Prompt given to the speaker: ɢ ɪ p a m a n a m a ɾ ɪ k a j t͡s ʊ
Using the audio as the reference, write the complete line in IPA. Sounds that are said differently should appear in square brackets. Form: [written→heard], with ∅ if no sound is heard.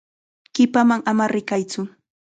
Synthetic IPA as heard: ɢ ɪ p a m a [n→ŋ] a m a ɾ ɪ k a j t͡s ʊ